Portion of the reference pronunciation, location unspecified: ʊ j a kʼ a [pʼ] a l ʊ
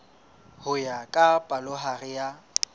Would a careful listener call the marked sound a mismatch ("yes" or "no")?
no